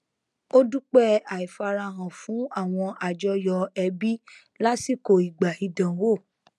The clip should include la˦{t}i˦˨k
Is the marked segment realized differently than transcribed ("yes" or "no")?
yes